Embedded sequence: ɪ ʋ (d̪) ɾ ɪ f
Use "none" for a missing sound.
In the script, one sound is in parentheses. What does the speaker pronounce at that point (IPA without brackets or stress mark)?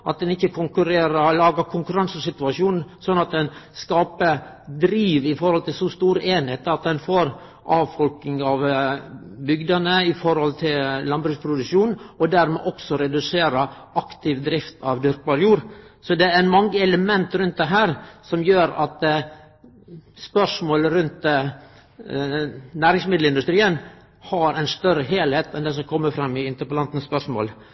d̪